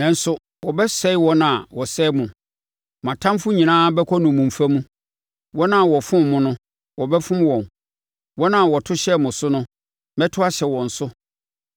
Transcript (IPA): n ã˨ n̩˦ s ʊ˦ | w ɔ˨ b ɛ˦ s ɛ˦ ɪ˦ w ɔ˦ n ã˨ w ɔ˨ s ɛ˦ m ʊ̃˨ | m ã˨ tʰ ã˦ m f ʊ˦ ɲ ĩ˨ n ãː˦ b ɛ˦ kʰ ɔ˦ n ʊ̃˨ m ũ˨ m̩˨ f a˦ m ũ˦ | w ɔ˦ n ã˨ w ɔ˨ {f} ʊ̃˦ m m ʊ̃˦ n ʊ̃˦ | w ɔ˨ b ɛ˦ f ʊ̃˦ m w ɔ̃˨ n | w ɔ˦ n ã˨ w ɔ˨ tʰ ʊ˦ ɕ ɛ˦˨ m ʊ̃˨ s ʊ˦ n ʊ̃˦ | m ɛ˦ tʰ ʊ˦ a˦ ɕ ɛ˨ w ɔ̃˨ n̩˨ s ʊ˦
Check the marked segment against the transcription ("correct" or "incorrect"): correct